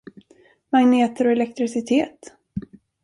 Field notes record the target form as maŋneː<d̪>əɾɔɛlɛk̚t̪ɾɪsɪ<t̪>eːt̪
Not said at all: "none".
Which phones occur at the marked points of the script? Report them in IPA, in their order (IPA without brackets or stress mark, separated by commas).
t̪, t̪ʰ